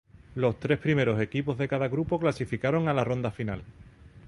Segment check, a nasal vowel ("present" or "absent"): absent